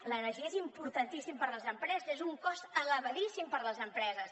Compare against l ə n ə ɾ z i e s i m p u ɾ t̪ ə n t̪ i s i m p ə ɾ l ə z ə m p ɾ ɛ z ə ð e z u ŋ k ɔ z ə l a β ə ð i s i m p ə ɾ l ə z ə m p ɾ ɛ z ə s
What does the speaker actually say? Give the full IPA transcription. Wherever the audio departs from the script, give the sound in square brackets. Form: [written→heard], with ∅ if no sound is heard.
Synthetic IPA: l ə n ə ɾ [z→ʒ] i e [s→z] i m p u ɾ t̪ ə n t̪ i s i m p ə ɾ l ə z ə m p ɾ ɛ z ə [ð→z] e z u ŋ k ɔ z ə l [a→ə] β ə ð i s i m p ə ɾ l ə z ə m p ɾ ɛ z ə s